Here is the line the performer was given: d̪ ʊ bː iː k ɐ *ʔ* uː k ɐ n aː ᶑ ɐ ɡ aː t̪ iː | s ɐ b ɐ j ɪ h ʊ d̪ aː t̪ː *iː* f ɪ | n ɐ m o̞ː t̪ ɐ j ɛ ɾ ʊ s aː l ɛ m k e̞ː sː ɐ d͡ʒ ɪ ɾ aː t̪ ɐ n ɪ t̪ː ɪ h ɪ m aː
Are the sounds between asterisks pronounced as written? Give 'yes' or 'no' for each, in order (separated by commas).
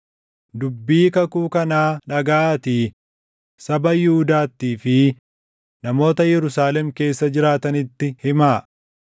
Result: no, yes